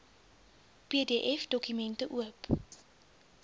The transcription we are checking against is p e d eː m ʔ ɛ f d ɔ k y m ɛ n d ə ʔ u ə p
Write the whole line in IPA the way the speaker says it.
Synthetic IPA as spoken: p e d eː ʔ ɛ f d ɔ k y m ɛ n t ə ʔ u ə p